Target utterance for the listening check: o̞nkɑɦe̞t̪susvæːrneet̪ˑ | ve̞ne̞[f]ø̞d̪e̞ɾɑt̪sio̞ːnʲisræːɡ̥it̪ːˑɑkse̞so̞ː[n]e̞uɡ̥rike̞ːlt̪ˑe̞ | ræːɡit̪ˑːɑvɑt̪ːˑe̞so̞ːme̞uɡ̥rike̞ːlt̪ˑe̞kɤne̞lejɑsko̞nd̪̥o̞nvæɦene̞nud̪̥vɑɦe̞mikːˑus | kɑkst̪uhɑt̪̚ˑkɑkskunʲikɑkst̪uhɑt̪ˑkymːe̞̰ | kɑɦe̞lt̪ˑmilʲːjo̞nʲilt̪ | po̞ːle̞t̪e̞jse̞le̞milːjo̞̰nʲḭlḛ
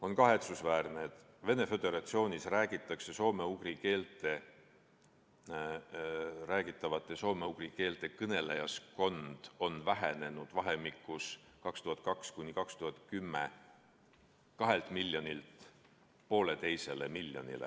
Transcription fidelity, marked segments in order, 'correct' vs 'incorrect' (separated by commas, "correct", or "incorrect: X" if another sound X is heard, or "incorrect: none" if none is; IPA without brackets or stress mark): correct, incorrect: m